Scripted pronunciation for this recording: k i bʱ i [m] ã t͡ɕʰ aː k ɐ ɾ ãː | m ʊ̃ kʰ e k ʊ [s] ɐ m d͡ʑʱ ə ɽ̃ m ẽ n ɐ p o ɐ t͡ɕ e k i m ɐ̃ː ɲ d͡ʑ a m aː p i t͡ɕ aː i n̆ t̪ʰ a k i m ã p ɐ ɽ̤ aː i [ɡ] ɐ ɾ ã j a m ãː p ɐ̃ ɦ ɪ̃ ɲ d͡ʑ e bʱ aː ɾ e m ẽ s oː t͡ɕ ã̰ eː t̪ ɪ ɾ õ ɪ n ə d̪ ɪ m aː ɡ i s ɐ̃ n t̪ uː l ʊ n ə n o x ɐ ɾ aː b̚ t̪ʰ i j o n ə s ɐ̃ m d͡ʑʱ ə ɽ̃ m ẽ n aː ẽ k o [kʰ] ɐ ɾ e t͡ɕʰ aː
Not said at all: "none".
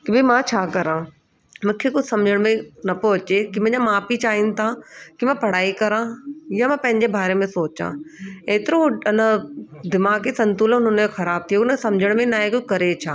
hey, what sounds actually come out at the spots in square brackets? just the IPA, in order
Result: m, s, k, k

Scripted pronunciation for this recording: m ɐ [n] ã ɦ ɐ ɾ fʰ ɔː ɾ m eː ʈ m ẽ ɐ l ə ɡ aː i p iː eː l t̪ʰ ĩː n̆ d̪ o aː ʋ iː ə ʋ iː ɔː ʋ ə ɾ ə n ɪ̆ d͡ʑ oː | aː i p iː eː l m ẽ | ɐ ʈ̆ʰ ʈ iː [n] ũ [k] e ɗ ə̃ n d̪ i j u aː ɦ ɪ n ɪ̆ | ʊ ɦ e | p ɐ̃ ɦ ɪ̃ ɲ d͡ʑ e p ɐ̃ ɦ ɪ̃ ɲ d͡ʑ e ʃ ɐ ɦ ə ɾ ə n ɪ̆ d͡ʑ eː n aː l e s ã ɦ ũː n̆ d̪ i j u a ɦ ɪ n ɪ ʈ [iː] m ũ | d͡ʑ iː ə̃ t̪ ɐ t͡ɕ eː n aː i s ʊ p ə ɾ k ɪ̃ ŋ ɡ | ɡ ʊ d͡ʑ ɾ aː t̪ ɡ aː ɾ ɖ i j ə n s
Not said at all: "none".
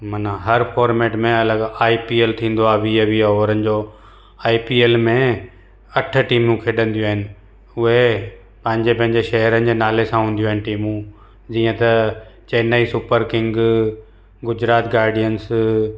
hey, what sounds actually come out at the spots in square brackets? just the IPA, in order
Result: n, m, kʰ, iː

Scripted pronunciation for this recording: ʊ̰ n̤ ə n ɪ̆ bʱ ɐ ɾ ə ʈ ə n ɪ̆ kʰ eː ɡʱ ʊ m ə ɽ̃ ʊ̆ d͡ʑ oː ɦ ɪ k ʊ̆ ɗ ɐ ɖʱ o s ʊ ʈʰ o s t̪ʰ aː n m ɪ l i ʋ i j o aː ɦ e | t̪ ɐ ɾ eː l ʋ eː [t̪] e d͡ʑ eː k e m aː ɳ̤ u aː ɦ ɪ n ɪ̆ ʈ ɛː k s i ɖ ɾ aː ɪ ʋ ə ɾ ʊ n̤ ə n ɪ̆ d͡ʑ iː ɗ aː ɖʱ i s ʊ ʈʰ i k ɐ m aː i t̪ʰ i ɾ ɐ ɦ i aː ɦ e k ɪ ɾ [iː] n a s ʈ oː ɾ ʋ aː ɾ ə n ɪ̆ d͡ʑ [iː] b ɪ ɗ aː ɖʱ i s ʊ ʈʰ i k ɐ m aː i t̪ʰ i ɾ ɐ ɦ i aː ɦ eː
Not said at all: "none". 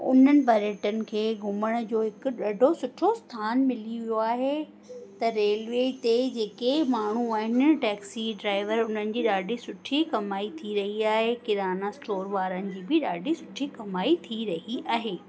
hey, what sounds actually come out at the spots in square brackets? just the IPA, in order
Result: t̪, aː, iː

